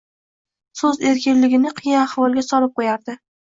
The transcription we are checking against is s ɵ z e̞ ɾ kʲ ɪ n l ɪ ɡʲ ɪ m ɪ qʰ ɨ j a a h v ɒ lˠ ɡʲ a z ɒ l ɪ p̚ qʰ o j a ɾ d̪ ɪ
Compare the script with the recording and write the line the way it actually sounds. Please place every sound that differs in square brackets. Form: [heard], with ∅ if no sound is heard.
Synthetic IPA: s ɵ z e̞ ɾ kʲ ɪ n l ɪ ɡʲ ɪ [n] ɪ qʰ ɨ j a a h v ɒ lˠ ɡʲ a [s] ɒ l ɪ p̚ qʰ o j a ɾ d̪ ɪ